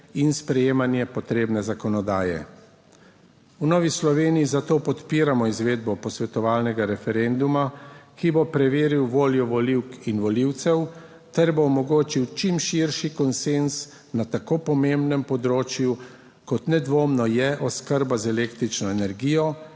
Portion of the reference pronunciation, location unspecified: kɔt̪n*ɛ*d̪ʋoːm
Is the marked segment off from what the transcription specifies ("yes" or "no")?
no